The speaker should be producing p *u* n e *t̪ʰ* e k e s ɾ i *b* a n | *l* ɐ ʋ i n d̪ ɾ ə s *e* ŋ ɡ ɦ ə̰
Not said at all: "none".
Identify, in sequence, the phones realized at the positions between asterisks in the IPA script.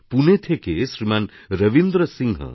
u, t̪ʰ, m, ɾ, i

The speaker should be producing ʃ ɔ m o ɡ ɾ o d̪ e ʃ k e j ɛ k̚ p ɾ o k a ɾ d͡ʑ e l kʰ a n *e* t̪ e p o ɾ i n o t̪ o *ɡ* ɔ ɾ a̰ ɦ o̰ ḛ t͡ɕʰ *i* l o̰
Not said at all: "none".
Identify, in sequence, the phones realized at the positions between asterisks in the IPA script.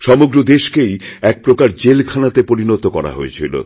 a, k, i

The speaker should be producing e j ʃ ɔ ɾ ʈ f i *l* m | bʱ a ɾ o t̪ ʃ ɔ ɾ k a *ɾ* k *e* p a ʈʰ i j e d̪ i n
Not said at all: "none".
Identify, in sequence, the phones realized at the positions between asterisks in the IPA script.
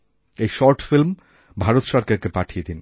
l, ɾ, e

